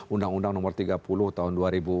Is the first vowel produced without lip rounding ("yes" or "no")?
no